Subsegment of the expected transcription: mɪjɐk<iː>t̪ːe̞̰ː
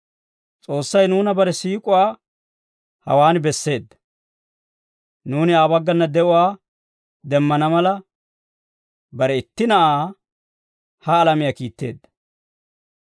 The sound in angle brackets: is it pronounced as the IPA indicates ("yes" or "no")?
yes